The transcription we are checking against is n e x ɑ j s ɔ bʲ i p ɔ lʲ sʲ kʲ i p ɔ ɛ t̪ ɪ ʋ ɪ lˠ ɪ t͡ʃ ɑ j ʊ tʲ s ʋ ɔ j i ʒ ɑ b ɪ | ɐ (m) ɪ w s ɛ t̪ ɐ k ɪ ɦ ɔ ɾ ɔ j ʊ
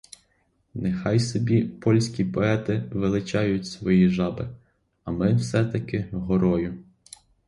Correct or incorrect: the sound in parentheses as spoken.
correct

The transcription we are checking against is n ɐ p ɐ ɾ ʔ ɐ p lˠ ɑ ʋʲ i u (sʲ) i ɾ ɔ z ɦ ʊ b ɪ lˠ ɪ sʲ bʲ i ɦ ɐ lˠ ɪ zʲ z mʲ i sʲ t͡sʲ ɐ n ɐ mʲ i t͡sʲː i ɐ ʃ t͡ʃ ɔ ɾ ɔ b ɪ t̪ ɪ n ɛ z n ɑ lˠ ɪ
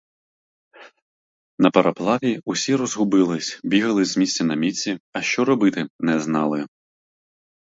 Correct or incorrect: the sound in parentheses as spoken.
correct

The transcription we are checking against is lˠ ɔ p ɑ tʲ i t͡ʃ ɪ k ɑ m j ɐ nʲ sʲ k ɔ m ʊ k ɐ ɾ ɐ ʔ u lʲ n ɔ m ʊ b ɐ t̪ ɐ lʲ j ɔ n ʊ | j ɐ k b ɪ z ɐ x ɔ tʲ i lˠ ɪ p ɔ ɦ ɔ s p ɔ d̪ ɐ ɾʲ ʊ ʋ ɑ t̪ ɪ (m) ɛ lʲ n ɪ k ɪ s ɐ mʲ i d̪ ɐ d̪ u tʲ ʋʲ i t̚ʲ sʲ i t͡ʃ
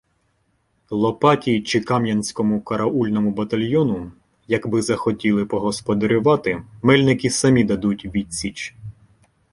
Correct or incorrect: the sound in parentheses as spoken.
correct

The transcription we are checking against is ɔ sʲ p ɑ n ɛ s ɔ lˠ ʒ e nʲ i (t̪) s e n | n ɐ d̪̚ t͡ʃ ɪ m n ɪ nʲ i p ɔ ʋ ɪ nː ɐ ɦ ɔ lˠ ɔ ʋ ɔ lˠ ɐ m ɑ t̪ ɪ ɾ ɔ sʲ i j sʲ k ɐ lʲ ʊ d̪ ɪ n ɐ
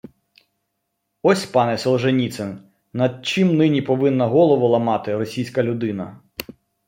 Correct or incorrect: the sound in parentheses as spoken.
correct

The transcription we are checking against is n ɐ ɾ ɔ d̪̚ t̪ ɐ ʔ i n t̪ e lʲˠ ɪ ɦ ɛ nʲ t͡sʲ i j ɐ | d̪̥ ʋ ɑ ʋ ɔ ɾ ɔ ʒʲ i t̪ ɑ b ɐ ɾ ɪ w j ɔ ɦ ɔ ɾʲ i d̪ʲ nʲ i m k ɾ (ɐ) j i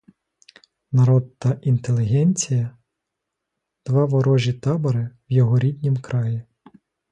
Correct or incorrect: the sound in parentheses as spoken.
incorrect: ɑ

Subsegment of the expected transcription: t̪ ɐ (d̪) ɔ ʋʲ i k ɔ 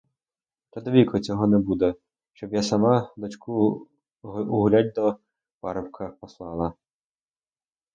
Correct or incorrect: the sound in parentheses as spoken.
correct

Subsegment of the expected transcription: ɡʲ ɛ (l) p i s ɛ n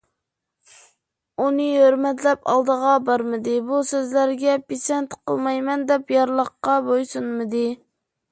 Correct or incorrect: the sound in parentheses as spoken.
incorrect: none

